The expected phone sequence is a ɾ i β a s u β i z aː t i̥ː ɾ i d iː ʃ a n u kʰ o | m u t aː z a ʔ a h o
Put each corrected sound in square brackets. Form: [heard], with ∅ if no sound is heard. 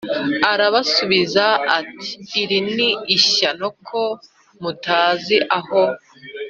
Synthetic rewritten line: a ɾ [a] β a s u β i z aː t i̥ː ɾ i [n] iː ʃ a n [o] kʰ o | m u t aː z [i] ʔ a h o